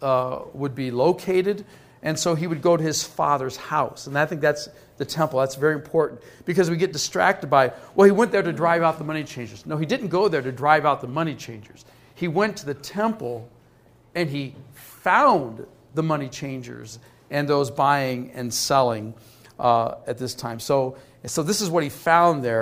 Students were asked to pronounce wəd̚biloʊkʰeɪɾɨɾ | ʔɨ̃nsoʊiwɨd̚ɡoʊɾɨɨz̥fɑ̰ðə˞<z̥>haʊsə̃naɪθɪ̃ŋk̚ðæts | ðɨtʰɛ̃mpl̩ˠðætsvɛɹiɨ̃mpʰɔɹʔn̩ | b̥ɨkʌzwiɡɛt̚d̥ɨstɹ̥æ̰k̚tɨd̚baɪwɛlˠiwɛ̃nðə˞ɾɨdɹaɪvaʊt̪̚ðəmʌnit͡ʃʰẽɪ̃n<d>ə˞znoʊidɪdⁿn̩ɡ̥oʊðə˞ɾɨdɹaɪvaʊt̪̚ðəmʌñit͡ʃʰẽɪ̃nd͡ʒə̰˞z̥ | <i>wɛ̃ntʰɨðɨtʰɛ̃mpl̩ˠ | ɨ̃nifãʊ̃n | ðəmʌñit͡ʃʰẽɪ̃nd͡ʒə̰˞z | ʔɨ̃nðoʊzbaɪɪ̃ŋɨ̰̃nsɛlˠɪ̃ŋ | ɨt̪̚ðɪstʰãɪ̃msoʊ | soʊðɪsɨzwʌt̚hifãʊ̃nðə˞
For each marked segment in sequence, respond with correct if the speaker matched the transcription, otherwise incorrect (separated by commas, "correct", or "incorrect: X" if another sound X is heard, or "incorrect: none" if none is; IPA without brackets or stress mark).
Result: correct, incorrect: d͡ʒ, correct